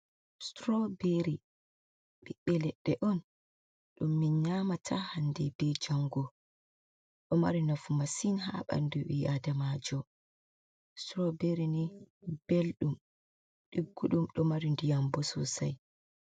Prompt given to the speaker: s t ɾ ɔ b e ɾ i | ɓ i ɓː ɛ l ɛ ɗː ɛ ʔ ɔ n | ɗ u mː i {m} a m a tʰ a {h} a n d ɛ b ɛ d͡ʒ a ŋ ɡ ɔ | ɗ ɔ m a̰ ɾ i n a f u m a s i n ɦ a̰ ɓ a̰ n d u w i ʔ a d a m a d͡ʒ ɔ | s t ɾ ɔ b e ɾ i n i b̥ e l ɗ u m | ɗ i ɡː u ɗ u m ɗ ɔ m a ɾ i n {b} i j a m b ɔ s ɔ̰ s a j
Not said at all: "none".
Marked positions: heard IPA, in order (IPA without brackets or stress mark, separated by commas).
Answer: ɲ, h, d